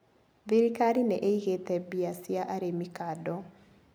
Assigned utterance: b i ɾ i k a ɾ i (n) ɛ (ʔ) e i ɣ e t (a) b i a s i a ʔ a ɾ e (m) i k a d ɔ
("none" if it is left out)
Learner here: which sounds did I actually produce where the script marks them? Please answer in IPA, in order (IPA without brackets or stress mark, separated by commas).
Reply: n, ʔ, ɛ, m